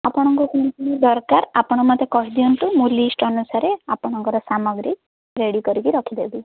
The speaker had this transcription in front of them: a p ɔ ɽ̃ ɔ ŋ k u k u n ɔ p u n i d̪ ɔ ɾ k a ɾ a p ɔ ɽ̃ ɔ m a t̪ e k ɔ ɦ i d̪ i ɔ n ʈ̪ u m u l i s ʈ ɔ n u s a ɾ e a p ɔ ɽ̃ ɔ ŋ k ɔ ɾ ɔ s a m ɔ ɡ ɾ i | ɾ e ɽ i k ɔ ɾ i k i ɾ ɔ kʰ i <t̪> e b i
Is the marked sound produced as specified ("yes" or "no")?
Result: no